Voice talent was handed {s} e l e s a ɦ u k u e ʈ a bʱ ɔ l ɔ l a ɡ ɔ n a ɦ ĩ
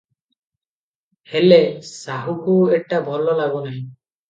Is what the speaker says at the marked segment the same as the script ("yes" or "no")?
no